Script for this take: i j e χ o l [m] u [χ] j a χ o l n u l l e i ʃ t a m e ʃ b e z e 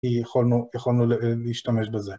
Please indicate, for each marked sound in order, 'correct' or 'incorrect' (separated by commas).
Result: incorrect, incorrect